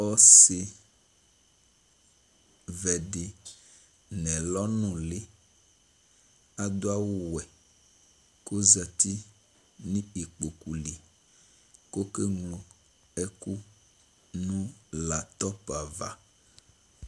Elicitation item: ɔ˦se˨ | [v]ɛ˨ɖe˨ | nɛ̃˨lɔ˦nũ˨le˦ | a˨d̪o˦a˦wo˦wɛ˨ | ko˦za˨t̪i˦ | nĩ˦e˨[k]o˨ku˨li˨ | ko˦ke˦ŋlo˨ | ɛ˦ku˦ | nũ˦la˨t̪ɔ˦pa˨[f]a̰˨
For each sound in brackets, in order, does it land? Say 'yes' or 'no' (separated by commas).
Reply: yes, no, no